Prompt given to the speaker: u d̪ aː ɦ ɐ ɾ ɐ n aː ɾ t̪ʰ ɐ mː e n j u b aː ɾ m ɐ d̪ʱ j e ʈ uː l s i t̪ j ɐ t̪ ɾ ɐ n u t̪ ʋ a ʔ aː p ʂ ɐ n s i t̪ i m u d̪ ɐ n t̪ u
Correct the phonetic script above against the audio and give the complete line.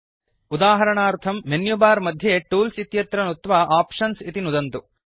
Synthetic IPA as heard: u d̪ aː ɦ ɐ ɾ ɐ ɳ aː ɾ t̪ʰ ɐ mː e n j u b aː ɾ m ɐ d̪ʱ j e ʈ uː l s i t̪ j ɐ t̪ ɾ ɐ n u t̪ ʋ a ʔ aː p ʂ ɐ n s i t̪ i n u d̪ ɐ n t̪ u